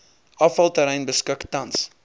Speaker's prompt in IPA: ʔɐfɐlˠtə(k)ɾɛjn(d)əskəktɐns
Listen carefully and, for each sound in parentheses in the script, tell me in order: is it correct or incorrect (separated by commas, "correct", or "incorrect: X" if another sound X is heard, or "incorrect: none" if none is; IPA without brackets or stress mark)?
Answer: incorrect: none, incorrect: b